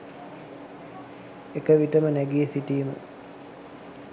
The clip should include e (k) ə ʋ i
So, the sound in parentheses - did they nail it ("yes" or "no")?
yes